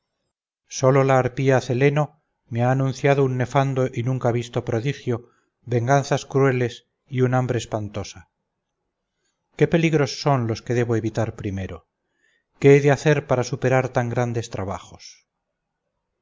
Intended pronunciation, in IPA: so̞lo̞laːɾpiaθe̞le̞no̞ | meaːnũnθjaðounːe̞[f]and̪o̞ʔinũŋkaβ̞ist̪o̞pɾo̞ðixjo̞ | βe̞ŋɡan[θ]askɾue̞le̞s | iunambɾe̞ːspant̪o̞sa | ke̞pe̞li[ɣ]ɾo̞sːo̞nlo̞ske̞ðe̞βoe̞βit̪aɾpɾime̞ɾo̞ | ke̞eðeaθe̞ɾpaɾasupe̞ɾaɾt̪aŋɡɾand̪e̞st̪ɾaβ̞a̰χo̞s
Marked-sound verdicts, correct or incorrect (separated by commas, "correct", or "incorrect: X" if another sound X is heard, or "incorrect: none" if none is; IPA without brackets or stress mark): correct, correct, correct